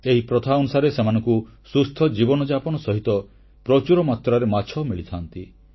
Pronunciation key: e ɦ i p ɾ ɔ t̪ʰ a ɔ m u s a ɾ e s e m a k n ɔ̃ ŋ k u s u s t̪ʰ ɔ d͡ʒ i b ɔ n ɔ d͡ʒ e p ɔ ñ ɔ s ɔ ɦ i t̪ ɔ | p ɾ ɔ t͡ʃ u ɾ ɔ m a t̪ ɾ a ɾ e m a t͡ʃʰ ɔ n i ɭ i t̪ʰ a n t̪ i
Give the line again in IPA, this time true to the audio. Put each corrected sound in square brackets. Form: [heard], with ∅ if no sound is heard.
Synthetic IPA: e ɦ i p ɾ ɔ t̪ʰ a ɔ [n] u s a ɾ e s e m a [∅] n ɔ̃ ŋ k u s u s t̪ʰ ɔ d͡ʒ i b ɔ n ɔ d͡ʒ [a] p ɔ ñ ɔ s ɔ ɦ i t̪ ɔ | p ɾ ɔ t͡ʃ u ɾ ɔ m a t̪ ɾ a ɾ e m a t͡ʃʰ ɔ [m] i ɭ i t̪ʰ a n t̪ i